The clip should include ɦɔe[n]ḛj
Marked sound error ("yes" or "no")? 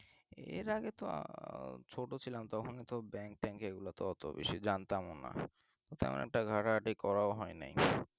no